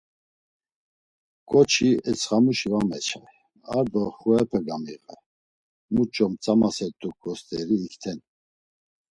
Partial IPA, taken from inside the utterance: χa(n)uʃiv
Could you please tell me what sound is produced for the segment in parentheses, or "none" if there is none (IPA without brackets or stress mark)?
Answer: m